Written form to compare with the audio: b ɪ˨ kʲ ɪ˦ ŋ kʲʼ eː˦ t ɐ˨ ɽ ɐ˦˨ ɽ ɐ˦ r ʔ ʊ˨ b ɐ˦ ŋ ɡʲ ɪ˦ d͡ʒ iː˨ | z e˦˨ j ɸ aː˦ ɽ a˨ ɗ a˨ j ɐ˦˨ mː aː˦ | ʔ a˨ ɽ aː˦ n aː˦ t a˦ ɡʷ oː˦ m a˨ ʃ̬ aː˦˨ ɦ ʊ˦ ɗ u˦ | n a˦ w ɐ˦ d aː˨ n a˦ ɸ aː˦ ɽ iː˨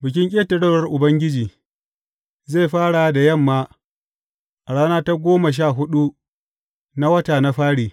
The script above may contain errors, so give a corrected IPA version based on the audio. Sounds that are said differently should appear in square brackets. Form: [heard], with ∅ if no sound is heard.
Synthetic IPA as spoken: b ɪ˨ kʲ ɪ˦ ŋ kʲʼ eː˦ t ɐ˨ ɽ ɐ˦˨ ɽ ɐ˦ r ʔ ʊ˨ b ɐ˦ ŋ ɡʲ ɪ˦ d͡ʒ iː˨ | z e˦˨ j ɸ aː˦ ɽ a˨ [d] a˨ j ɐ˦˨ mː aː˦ | ʔ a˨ ɽ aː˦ n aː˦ t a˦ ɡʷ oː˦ m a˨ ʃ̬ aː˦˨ ɦ ʊ˦ ɗ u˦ | n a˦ w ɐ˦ [t] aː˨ n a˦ ɸ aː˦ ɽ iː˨